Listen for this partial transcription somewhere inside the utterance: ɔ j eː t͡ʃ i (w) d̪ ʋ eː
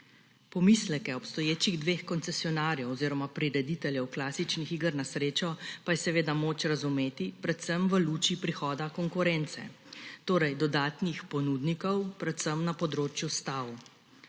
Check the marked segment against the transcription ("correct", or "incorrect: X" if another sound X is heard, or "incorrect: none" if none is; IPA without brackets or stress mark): incorrect: ɣ